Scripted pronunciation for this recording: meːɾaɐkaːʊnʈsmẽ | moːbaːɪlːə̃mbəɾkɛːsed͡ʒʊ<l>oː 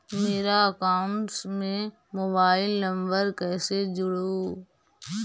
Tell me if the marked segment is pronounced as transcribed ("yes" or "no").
no